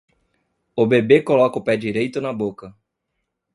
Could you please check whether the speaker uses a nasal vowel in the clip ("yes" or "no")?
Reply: no